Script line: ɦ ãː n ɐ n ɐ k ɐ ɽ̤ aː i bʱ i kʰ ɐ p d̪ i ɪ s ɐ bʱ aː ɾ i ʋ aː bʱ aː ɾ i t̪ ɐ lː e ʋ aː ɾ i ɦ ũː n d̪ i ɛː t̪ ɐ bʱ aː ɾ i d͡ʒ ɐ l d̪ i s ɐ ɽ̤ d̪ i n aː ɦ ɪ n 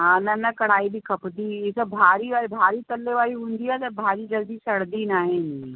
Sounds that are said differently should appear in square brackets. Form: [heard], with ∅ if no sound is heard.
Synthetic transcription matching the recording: ɦ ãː n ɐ n ɐ k ɐ ɽ̤ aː i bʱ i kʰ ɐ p d̪ i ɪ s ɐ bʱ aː ɾ i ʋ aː bʱ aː ɾ i t̪ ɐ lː e ʋ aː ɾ i ɦ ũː n d̪ i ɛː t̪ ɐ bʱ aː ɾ i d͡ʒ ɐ l d̪ i s ɐ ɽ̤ d̪ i n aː ɦ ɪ n